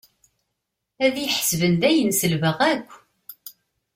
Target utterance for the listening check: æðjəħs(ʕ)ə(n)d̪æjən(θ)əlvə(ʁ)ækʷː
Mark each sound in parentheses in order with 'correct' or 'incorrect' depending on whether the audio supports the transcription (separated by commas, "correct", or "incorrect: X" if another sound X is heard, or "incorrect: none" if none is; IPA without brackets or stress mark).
incorrect: v, correct, incorrect: s, correct